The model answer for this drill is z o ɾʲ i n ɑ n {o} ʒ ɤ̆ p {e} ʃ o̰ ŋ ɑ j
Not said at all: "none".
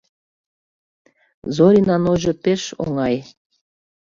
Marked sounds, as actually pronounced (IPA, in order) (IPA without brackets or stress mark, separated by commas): o, e